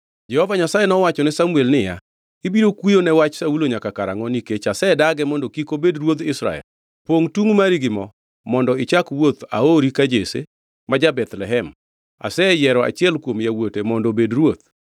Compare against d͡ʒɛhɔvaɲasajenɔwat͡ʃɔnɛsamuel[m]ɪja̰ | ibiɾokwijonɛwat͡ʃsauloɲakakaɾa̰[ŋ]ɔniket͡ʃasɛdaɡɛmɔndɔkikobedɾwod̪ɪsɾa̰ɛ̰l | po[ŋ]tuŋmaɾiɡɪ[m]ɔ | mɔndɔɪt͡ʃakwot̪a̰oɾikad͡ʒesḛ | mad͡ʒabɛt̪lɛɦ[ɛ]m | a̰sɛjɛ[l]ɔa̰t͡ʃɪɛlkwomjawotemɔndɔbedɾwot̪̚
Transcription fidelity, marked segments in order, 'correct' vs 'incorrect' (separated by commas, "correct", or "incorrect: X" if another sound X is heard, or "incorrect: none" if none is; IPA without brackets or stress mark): incorrect: n, correct, correct, correct, correct, incorrect: ɾ